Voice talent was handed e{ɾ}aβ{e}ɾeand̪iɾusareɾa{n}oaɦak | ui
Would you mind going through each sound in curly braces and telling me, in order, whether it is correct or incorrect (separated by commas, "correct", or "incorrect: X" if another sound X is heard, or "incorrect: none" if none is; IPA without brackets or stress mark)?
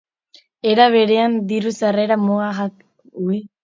correct, correct, incorrect: m